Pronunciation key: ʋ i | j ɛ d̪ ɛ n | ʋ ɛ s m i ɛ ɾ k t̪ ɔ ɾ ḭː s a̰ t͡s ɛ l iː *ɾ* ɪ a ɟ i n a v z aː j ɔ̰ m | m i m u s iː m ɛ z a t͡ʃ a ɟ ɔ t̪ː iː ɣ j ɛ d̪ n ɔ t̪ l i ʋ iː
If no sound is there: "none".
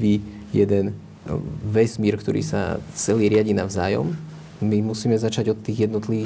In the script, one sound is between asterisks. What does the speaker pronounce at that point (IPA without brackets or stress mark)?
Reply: ɾ